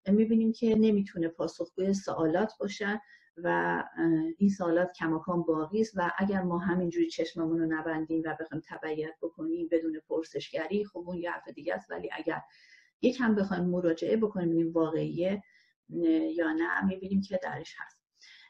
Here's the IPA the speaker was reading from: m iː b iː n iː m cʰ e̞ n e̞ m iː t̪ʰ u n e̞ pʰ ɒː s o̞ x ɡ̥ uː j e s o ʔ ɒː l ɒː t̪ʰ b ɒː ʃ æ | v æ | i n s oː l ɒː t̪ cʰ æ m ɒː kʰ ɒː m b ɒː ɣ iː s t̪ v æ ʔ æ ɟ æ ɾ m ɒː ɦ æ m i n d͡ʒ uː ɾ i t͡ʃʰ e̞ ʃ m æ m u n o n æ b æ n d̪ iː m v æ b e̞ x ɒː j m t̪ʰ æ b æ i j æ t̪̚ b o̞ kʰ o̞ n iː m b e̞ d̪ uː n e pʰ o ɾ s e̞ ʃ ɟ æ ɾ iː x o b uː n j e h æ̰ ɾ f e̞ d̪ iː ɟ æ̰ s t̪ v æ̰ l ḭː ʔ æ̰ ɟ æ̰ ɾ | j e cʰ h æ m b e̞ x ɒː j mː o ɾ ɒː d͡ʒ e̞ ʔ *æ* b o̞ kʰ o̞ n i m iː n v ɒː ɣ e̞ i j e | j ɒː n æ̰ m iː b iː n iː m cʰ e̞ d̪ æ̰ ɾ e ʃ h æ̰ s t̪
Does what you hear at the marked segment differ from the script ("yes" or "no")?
yes